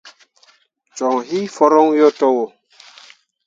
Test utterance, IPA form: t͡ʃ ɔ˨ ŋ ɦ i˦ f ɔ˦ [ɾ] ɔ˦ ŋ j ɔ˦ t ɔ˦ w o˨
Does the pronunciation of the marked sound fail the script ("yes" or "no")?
no